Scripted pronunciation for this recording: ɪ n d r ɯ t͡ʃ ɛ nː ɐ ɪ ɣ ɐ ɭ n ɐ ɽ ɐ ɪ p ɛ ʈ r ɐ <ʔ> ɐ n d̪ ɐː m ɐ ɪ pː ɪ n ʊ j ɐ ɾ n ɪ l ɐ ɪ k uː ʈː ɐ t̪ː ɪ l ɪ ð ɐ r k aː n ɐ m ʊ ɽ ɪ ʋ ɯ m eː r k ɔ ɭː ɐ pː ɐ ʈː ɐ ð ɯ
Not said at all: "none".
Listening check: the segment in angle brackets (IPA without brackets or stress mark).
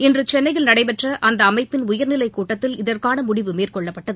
ʔ